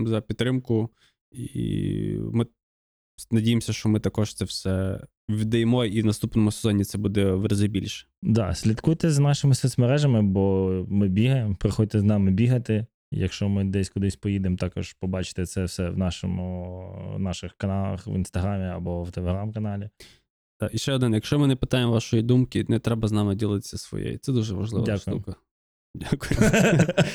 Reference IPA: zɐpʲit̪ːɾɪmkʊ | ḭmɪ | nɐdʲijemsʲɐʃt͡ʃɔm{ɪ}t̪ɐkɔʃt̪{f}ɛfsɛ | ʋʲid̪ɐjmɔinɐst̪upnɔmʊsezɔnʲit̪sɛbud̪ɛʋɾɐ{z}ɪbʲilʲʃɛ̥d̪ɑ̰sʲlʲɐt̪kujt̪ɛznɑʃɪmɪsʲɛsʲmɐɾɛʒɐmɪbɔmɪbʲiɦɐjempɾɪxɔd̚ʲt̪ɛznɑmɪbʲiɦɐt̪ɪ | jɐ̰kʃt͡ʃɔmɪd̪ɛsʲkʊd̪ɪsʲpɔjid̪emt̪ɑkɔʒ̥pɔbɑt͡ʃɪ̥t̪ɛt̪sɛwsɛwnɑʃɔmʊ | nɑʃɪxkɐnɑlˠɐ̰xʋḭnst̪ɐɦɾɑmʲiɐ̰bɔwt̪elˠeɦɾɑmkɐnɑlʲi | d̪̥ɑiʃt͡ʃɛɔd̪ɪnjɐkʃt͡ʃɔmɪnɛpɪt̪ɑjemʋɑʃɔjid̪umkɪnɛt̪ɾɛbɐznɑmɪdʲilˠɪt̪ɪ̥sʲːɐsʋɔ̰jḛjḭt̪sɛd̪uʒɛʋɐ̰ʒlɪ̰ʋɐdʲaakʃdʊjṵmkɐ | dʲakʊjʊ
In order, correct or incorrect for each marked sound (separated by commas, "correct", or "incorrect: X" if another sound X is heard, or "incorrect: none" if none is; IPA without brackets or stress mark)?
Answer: correct, incorrect: s, correct